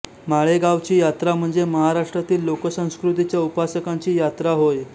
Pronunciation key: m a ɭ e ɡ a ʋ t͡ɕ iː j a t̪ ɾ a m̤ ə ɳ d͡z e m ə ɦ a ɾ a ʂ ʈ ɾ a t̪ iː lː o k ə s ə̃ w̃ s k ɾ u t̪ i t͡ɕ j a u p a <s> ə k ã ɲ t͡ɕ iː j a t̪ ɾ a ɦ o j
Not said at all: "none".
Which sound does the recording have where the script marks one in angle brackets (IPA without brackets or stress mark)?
s